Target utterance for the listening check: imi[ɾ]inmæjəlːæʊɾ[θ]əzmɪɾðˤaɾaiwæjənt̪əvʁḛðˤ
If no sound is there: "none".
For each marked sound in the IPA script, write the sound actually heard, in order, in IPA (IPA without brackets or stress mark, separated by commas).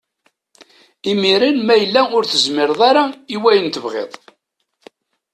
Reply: ɾ, θ